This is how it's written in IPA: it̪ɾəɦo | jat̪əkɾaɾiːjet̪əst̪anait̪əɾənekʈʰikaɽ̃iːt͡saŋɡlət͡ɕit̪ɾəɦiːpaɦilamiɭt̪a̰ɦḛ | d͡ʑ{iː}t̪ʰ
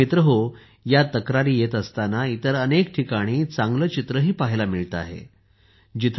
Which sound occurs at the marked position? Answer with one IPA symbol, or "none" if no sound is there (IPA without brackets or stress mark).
i